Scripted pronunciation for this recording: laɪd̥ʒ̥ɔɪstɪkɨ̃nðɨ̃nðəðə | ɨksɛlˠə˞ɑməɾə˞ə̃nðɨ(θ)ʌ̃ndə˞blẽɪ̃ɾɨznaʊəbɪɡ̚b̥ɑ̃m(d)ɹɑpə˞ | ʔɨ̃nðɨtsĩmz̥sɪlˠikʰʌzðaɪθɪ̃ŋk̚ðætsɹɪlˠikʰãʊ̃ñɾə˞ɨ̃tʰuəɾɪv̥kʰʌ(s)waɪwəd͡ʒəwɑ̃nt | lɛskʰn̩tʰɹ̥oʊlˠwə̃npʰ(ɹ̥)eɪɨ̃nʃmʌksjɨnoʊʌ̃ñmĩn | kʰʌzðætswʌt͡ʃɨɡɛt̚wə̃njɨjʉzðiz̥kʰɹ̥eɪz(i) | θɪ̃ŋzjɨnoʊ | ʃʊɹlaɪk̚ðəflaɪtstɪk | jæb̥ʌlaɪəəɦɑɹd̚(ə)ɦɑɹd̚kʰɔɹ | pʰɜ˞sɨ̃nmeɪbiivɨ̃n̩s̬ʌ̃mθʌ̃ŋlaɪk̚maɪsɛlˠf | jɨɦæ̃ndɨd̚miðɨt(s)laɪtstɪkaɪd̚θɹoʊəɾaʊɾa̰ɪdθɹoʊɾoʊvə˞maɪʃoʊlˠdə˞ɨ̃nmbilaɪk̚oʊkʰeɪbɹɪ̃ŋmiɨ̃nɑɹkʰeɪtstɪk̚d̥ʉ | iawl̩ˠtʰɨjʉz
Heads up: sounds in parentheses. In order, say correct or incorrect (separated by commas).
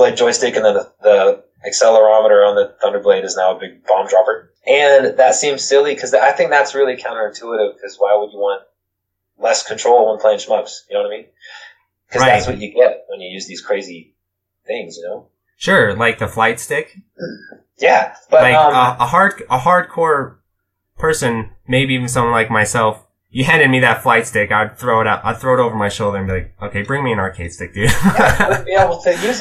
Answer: correct, correct, incorrect, incorrect, correct, correct, incorrect